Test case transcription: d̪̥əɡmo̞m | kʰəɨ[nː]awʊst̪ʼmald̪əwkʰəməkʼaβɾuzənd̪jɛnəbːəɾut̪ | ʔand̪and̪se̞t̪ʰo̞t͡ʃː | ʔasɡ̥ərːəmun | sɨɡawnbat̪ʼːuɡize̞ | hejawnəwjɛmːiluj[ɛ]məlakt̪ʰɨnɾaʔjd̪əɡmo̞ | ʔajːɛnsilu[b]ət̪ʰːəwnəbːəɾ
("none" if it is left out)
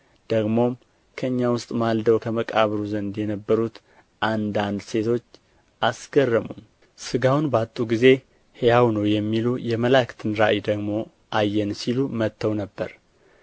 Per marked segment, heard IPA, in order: ɲː, ɛ, m

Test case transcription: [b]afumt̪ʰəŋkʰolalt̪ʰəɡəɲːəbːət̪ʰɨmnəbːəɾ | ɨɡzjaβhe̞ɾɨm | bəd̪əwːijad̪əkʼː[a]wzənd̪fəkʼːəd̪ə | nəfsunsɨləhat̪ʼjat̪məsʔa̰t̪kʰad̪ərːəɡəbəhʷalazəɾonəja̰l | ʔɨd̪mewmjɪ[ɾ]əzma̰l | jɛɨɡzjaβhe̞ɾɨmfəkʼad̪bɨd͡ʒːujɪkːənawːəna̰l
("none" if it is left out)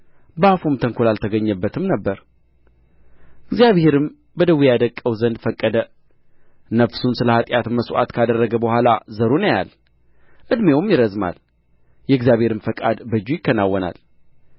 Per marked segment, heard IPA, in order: b, ə, ɾ

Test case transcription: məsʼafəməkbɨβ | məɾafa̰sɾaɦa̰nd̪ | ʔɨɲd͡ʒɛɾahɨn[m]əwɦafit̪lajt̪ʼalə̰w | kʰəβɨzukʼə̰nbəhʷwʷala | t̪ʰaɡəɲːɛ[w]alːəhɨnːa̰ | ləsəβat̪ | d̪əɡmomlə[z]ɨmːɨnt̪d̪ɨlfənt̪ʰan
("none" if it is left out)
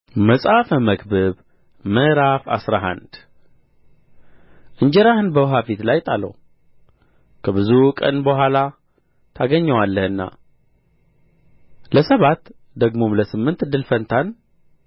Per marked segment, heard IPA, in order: b, w, s

